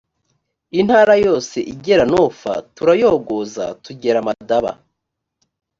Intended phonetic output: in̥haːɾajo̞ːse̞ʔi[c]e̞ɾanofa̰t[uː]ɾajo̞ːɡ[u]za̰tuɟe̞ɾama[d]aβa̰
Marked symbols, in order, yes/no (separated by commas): no, no, no, yes